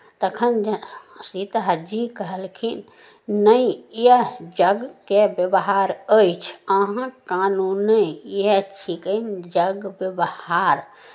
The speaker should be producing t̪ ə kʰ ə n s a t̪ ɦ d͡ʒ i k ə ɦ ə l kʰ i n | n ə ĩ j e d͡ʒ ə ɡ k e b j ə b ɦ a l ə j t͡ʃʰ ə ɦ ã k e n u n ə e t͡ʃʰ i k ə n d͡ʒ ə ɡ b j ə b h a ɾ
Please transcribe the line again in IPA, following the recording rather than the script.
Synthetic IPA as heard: t̪ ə kʰ ə n s i t̪ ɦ d͡ʒ i k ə ɦ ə l kʰ i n | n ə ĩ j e d͡ʒ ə ɡ k e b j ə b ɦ a ɾ ə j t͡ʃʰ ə ɦ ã k a n u n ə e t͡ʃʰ i k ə n d͡ʒ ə ɡ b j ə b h a ɾ